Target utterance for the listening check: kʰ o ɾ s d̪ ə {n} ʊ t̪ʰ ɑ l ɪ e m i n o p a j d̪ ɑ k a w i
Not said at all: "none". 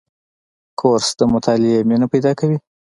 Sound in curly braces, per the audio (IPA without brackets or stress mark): m